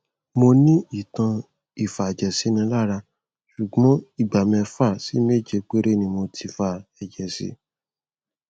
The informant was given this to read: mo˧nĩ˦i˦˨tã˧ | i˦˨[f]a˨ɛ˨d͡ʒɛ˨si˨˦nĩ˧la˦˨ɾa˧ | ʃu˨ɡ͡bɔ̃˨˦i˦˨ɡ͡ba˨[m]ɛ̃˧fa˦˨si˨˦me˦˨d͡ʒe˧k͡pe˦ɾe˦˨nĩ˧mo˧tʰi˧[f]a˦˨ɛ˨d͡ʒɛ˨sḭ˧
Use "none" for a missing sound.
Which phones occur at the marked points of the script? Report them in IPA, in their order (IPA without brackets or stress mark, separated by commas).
f, m, f